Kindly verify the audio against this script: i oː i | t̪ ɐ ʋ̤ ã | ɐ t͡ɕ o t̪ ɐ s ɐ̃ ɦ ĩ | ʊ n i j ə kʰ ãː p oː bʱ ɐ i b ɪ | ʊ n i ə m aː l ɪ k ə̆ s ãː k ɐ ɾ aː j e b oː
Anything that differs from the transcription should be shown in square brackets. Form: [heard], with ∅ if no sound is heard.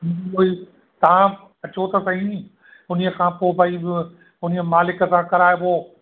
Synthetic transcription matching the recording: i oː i | t̪ ɐ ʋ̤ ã | ɐ t͡ɕ o t̪ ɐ s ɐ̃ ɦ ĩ | ʊ n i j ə kʰ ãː p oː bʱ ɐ i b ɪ | ʊ n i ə m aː l ɪ k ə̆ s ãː k ɐ ɾ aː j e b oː